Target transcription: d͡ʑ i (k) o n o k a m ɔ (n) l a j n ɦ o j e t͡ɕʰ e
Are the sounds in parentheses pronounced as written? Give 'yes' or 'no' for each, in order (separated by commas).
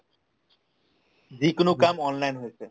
yes, yes